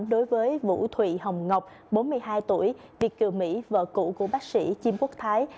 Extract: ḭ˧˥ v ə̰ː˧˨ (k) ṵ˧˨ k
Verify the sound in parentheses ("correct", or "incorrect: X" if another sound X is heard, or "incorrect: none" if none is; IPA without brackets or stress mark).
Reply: correct